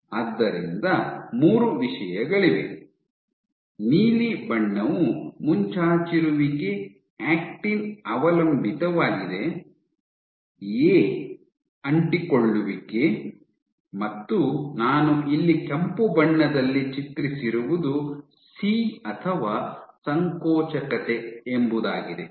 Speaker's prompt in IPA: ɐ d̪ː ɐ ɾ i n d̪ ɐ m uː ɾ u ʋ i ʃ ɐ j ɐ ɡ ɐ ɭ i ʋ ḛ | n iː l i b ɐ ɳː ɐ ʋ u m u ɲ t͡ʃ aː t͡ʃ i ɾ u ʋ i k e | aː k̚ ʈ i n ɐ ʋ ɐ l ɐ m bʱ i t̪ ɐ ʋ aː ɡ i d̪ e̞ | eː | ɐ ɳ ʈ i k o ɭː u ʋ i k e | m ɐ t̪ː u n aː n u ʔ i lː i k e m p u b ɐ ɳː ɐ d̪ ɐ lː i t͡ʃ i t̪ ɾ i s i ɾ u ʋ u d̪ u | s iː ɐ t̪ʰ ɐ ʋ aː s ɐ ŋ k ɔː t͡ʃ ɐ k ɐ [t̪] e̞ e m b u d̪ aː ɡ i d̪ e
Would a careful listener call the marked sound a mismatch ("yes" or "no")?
no